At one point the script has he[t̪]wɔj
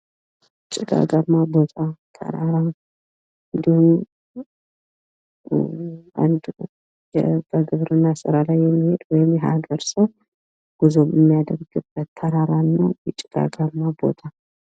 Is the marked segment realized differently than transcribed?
yes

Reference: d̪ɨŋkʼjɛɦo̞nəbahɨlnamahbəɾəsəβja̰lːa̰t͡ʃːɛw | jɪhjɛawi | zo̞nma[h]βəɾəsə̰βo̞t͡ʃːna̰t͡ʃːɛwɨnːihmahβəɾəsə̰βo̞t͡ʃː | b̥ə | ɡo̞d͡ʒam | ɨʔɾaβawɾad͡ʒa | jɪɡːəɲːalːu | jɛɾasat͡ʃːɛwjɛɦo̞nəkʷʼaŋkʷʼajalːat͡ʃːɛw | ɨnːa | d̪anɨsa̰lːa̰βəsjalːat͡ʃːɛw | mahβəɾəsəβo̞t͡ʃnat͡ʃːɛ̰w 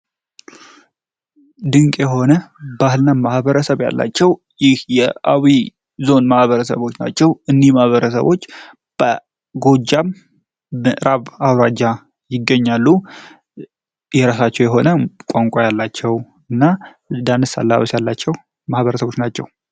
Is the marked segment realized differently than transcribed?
no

